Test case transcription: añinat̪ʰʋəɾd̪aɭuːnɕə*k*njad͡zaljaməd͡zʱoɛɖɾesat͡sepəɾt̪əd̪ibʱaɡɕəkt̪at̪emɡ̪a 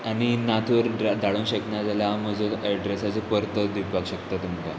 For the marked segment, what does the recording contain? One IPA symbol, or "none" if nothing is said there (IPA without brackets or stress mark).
k